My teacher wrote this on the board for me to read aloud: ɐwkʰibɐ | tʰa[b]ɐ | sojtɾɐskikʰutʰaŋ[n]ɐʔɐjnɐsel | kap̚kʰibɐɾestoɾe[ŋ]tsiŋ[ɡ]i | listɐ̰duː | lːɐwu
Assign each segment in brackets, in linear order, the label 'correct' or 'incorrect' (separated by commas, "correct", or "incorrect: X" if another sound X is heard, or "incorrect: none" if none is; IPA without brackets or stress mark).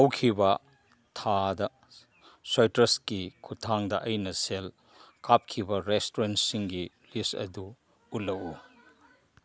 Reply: incorrect: d, incorrect: d, incorrect: n, correct